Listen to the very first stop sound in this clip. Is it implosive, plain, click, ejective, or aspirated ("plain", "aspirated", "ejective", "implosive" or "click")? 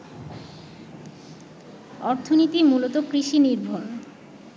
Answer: aspirated